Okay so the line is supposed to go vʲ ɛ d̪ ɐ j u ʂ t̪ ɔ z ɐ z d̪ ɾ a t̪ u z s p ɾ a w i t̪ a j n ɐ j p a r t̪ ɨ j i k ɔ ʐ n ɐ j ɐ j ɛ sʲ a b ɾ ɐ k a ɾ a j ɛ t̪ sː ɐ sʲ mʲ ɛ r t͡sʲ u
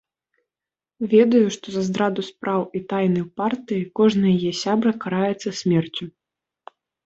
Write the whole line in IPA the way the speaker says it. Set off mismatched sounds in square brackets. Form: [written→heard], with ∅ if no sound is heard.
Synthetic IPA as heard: vʲ ɛ d̪ ɐ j u ʂ t̪ ɔ z ɐ z d̪ ɾ a [t̪→d̪] u [z→∅] s p ɾ a w i t̪ a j n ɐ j p a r t̪ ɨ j i k ɔ ʐ n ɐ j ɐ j ɛ sʲ a b ɾ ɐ k a ɾ a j ɛ t̪ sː ɐ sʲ mʲ ɛ r t͡sʲ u